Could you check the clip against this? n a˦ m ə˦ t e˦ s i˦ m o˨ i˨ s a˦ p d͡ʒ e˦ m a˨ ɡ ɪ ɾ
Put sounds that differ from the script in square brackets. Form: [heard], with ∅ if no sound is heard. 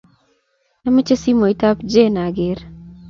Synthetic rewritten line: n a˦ m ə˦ [t͡ʃ] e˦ s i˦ m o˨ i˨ [t] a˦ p d͡ʒ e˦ [n] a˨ ɡ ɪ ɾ